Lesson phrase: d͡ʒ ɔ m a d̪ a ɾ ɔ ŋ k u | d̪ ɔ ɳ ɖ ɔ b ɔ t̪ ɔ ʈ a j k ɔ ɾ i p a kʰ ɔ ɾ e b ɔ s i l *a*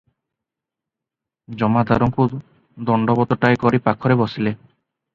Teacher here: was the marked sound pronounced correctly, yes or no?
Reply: no